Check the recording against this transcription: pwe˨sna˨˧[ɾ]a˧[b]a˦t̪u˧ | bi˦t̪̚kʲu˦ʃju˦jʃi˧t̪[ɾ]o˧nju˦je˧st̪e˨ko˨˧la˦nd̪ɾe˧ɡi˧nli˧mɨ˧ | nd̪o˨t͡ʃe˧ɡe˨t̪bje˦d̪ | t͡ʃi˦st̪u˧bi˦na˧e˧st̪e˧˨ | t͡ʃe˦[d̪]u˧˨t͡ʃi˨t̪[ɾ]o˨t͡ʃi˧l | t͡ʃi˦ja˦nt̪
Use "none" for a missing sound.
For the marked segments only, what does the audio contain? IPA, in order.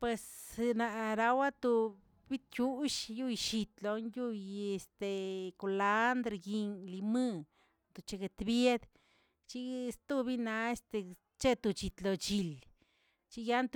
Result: ɾ, w, l, t̪, l

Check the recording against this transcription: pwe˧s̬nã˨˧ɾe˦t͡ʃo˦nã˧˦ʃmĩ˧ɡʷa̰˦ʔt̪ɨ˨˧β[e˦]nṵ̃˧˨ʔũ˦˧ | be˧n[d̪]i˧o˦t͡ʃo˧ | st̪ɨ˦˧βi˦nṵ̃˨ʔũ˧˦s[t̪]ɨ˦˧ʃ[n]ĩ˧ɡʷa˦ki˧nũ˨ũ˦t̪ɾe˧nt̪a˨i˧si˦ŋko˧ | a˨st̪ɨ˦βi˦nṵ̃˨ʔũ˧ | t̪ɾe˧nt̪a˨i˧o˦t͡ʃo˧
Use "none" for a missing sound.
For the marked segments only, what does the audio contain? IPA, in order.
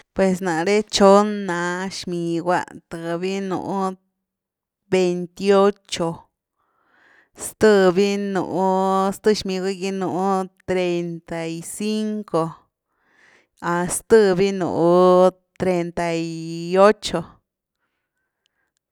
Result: i˦, t̪, t̪, m

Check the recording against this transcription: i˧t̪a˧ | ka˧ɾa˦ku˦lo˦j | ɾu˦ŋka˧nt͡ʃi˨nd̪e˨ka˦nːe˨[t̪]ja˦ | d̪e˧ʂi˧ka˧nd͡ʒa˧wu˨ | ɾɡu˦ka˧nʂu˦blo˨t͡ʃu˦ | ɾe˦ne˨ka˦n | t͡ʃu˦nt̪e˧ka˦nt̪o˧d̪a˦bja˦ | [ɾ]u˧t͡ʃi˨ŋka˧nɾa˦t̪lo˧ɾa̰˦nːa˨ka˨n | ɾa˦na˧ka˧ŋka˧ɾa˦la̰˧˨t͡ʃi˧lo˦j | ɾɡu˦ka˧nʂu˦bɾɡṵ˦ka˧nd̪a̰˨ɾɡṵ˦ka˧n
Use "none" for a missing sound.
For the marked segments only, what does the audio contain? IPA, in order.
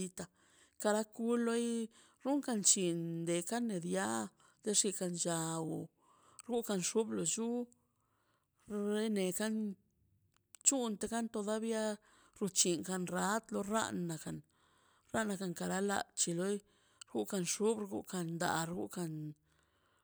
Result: d̪, ɾ

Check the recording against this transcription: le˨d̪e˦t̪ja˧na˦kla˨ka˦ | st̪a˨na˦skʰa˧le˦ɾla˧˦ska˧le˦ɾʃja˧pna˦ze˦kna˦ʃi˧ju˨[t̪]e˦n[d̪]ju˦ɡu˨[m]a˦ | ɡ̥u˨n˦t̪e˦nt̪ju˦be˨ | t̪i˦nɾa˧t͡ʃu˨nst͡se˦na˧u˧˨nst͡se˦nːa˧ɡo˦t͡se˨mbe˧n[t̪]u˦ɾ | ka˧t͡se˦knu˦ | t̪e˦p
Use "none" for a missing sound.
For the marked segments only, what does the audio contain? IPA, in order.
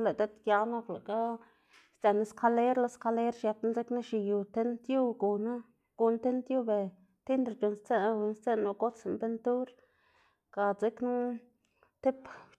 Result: t̪, t̪, n, t̪

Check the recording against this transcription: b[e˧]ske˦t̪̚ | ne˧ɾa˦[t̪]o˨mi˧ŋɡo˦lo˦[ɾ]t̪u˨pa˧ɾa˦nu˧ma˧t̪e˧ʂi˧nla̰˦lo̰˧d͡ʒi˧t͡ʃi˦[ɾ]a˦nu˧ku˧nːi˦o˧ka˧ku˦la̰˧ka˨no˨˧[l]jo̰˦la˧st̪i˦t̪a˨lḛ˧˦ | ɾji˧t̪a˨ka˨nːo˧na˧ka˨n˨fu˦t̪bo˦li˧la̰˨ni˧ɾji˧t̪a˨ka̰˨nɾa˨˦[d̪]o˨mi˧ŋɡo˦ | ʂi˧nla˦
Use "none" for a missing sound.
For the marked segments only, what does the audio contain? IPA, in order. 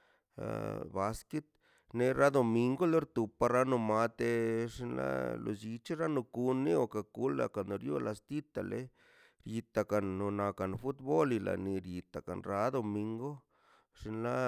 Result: a˧, d̪, ɾ, ɾ, ɾ, d̪

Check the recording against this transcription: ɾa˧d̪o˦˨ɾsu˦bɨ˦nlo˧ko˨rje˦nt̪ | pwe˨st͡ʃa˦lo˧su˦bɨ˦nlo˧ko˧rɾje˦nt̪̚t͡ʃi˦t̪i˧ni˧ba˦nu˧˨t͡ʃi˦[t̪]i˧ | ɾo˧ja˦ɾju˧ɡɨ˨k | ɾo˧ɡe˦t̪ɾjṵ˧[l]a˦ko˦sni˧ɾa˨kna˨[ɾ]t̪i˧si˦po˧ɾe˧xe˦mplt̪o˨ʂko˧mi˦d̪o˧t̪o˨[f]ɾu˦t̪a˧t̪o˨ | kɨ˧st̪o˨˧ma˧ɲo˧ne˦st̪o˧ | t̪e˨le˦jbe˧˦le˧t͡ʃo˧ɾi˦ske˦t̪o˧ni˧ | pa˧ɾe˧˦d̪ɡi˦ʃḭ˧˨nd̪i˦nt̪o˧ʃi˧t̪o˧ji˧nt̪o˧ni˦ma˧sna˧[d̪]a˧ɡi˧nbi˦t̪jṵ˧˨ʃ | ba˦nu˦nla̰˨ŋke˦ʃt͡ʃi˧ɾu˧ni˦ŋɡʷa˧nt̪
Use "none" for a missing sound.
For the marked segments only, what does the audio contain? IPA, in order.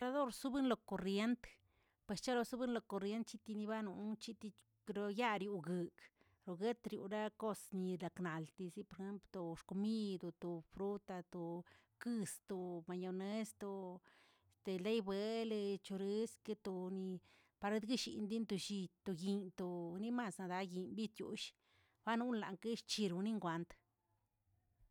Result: t̪, ɾ, l, f, d̪

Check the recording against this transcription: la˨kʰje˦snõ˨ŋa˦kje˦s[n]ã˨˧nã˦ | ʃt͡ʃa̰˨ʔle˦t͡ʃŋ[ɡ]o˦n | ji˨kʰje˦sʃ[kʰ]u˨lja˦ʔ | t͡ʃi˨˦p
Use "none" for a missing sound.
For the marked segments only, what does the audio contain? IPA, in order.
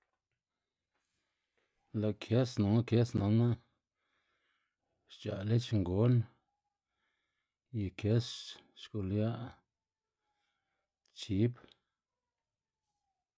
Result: n, ɡ, k

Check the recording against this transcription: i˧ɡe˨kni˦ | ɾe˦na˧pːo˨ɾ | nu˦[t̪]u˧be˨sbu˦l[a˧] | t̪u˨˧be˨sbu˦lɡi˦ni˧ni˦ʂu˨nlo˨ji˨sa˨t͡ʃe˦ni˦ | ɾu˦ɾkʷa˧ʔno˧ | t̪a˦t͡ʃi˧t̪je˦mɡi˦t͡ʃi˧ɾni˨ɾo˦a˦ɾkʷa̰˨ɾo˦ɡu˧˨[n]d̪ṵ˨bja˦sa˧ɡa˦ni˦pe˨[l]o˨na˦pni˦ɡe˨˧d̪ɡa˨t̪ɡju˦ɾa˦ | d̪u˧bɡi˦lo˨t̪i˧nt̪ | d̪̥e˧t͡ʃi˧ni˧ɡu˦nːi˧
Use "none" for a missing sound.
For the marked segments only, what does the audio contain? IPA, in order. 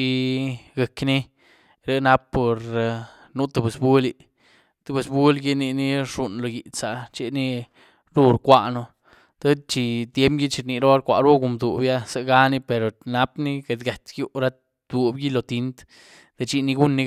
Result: t̪, i˧, m, ɾ

